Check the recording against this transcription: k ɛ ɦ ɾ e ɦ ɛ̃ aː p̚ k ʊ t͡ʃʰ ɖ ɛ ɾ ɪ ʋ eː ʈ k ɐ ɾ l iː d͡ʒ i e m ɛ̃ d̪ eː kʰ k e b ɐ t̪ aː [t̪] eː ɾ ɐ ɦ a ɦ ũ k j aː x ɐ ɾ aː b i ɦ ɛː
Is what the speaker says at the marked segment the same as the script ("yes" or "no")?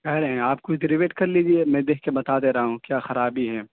no